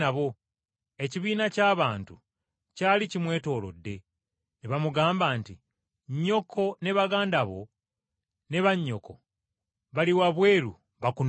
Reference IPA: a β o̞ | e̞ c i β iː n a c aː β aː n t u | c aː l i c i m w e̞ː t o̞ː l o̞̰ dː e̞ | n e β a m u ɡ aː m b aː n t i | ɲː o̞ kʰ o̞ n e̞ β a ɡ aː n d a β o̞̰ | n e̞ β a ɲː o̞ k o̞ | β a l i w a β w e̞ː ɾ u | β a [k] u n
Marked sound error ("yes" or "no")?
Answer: no